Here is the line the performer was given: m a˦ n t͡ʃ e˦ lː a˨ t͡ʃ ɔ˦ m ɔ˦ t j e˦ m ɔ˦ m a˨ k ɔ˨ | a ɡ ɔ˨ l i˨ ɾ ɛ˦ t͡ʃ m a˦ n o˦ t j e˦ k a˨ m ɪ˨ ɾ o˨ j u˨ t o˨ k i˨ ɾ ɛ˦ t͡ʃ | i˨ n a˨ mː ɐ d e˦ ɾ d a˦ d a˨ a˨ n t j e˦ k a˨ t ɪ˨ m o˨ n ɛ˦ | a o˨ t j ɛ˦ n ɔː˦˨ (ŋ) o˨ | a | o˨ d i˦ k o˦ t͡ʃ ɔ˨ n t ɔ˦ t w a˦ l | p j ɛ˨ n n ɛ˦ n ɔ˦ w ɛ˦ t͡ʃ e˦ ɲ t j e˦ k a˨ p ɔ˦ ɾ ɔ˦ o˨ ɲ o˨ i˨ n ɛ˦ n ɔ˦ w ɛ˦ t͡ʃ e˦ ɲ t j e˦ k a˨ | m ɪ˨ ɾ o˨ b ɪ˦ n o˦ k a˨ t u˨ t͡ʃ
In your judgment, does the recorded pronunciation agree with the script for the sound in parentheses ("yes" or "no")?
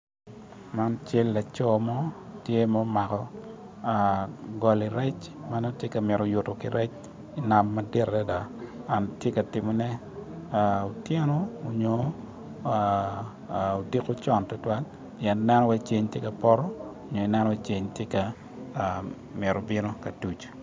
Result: no